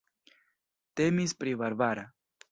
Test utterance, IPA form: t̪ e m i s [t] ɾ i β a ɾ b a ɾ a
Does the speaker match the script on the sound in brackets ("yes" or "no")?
no